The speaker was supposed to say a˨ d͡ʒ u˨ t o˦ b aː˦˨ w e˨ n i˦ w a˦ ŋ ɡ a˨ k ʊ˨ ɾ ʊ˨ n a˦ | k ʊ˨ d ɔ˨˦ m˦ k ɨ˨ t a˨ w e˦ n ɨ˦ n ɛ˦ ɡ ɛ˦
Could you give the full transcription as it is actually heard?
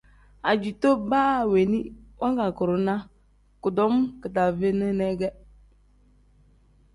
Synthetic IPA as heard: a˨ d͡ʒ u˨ t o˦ b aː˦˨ w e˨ n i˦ w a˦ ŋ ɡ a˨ k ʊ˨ ɾ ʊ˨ n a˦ | k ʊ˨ d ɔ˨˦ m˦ k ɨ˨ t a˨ v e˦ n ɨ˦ n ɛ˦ ɡ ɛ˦